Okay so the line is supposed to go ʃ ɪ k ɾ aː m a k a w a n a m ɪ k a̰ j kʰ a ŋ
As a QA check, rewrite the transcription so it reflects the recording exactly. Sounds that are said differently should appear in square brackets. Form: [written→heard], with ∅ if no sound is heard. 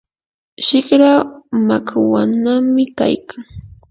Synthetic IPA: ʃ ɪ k ɾ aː m a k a w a n a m ɪ k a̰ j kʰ a ŋ